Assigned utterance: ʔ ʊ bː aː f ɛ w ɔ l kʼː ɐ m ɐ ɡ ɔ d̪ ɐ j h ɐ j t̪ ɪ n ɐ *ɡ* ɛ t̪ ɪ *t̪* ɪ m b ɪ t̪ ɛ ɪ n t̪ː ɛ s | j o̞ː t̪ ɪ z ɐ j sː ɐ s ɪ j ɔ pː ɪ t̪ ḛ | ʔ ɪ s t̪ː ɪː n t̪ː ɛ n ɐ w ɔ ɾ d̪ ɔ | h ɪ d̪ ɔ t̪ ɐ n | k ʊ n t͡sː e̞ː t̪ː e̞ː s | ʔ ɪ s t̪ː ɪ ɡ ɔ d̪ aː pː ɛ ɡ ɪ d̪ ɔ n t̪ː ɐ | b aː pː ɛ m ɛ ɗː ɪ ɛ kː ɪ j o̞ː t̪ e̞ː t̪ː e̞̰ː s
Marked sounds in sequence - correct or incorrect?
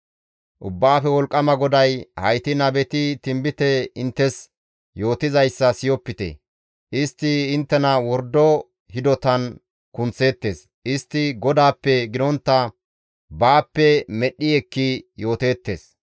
incorrect: b, correct

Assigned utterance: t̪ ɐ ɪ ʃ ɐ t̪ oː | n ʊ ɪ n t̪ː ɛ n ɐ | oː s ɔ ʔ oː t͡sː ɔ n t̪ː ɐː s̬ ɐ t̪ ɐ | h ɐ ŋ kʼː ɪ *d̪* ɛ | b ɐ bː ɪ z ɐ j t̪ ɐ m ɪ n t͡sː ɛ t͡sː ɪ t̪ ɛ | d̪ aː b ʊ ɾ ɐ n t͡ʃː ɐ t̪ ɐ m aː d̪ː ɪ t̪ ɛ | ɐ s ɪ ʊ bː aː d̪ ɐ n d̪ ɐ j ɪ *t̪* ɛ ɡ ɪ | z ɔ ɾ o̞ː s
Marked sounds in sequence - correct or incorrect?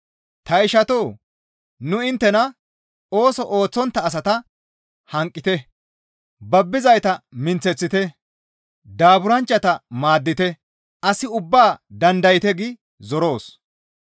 incorrect: t̪, correct

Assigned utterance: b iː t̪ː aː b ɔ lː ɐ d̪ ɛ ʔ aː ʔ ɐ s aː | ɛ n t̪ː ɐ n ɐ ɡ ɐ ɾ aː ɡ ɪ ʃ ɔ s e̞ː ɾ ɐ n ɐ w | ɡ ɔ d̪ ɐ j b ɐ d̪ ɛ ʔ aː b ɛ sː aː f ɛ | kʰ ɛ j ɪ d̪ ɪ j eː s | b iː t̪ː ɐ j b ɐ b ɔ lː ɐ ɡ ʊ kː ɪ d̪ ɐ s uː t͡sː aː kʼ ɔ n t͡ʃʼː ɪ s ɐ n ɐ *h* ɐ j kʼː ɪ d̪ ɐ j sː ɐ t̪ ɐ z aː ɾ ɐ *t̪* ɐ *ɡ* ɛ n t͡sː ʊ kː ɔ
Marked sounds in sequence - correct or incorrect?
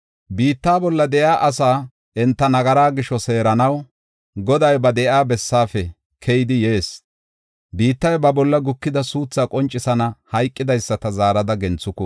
correct, incorrect: d̪, correct

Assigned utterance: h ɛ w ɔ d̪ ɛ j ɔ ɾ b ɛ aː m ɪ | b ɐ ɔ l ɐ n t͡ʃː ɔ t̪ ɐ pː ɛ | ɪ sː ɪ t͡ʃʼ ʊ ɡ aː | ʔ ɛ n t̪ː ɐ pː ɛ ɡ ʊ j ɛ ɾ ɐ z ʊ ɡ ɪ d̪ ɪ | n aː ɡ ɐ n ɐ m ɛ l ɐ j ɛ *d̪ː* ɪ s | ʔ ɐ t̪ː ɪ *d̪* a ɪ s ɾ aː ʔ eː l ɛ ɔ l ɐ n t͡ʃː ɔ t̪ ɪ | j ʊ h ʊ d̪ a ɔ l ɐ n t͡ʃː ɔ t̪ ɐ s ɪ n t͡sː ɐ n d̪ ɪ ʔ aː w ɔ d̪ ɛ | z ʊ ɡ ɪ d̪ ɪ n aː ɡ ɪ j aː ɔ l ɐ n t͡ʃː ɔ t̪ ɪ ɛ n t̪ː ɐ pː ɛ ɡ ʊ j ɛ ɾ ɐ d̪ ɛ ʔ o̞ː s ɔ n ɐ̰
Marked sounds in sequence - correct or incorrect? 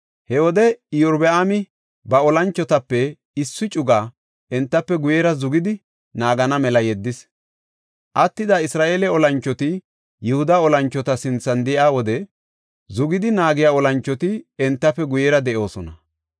correct, correct

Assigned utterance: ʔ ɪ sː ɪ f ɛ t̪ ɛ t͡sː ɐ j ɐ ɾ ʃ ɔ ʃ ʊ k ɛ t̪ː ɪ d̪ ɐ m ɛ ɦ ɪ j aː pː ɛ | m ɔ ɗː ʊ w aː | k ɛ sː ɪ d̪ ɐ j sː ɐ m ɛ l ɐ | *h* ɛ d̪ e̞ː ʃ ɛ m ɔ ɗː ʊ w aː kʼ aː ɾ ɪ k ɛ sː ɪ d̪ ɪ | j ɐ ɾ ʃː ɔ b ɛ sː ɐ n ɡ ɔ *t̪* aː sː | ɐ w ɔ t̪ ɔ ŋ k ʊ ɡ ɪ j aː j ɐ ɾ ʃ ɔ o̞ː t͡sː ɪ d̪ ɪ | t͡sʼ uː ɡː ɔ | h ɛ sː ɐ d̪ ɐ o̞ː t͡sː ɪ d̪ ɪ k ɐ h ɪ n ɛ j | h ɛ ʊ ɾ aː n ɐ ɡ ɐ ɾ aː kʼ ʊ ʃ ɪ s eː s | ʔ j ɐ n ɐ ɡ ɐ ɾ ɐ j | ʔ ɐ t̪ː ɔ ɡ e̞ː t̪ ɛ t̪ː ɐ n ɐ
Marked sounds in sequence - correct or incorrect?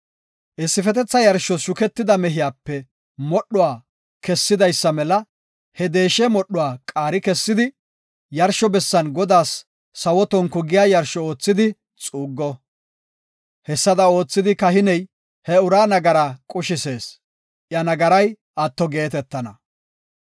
correct, incorrect: d̪

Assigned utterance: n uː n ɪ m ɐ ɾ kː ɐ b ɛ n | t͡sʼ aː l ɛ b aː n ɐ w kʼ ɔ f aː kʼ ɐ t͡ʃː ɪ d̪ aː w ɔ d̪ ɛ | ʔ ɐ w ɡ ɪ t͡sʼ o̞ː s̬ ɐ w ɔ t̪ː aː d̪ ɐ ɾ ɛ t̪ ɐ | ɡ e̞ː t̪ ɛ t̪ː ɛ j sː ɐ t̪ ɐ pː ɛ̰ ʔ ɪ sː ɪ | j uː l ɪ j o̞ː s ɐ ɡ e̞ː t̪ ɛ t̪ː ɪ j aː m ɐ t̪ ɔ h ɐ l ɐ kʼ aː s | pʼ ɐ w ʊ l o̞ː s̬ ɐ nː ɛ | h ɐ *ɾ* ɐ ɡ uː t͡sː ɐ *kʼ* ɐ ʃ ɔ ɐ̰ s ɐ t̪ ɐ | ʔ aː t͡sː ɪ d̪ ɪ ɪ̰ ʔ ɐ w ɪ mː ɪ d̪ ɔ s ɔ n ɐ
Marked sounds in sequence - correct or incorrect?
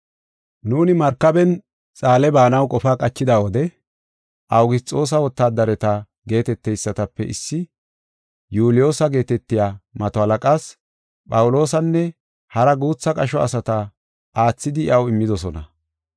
correct, correct

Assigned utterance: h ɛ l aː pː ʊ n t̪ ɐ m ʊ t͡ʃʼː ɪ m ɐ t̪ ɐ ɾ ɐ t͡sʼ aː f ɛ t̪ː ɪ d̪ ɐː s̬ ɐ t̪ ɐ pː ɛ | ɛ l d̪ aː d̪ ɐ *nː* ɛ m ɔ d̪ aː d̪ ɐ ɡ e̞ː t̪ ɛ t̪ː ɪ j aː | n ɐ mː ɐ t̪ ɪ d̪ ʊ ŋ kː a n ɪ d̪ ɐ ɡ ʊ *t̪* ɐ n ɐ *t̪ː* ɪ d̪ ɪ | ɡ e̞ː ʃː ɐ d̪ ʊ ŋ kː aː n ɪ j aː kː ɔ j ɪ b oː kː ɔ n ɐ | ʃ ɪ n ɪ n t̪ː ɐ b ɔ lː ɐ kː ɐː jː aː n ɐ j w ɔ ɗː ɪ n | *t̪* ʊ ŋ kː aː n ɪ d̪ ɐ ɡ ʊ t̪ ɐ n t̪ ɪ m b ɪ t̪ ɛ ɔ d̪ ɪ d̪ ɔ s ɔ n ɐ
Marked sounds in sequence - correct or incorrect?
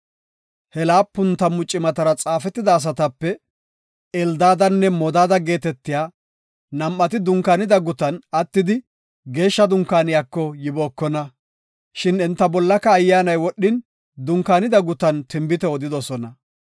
correct, correct, correct, incorrect: d̪

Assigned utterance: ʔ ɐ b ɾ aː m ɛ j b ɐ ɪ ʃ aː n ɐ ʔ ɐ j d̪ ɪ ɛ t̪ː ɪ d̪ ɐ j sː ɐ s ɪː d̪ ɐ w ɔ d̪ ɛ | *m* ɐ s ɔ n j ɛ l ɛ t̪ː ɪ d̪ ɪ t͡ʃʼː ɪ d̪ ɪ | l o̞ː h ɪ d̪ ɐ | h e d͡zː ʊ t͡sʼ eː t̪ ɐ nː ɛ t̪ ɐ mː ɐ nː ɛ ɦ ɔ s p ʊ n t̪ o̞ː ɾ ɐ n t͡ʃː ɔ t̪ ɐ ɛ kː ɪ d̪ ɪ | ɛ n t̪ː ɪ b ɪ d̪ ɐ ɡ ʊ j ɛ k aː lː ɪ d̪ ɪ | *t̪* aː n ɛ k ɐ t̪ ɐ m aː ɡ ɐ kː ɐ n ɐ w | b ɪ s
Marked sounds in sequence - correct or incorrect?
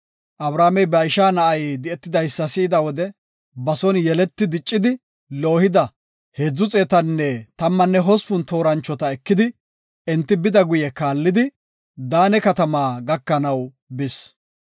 incorrect: b, incorrect: d̪

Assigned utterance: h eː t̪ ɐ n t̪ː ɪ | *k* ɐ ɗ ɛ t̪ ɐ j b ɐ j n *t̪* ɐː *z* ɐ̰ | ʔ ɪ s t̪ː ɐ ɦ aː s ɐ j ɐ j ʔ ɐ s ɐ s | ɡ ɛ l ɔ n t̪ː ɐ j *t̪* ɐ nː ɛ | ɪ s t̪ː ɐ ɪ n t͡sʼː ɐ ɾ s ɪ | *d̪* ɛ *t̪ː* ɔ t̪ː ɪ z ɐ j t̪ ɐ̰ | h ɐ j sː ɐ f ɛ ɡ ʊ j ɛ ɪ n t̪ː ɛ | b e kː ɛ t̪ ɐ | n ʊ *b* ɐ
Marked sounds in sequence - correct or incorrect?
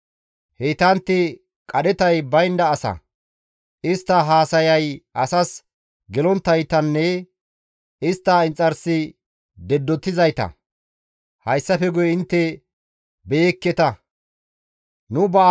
incorrect: kʼ, incorrect: d̪, incorrect: s, correct, correct, incorrect: d̪ː, correct

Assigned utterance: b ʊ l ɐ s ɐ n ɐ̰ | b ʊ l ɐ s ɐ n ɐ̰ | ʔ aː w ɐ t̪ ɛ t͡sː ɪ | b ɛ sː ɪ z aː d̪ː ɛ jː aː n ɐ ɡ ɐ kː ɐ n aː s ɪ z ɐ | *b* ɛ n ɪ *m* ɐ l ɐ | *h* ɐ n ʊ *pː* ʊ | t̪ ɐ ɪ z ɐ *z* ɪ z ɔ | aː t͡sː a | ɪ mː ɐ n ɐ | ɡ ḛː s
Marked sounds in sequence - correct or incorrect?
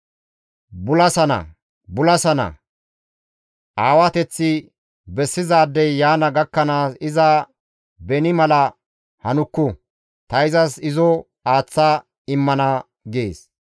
correct, correct, correct, incorrect: kː, incorrect: s

